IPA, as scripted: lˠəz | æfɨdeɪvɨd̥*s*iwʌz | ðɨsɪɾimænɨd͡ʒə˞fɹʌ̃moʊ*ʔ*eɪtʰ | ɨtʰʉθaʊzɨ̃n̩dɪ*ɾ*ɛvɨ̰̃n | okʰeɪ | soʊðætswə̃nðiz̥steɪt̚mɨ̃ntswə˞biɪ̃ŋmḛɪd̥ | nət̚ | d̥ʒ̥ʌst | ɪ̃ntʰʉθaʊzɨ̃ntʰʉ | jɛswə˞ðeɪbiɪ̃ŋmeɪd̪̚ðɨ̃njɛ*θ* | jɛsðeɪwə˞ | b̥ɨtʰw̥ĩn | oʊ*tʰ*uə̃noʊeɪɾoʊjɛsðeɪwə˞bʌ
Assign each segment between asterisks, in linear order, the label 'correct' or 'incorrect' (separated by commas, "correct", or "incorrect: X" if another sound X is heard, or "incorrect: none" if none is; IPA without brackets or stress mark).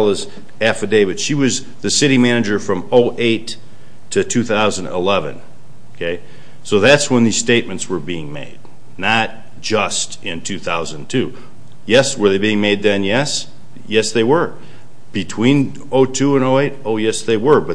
incorrect: ʃ, correct, incorrect: l, incorrect: s, correct